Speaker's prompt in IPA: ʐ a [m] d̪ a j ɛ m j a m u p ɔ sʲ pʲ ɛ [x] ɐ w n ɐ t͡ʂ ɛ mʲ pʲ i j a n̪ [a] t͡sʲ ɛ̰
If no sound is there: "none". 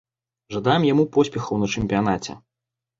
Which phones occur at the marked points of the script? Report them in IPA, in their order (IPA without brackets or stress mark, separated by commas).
none, x, a